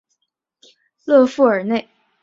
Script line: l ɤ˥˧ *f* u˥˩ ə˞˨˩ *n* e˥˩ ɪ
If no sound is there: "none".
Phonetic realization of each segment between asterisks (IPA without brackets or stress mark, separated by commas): f, n